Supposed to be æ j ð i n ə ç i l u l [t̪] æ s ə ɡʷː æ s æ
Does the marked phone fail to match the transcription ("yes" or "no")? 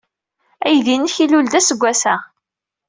yes